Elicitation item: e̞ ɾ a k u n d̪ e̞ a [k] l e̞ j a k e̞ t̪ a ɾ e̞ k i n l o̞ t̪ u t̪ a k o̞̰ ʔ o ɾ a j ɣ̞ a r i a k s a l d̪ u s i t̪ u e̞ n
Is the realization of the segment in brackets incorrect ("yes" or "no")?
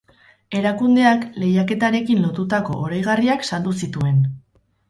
no